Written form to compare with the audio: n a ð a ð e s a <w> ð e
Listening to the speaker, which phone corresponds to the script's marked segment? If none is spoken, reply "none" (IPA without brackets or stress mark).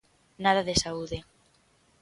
u